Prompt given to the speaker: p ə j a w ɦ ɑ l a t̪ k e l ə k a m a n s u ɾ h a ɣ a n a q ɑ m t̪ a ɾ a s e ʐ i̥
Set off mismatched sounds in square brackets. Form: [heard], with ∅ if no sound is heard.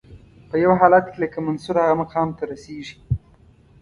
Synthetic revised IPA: p ə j a w ɦ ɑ l a t̪ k e l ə k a m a n s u ɾ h a ɣ a [m] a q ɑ m t̪ a ɾ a s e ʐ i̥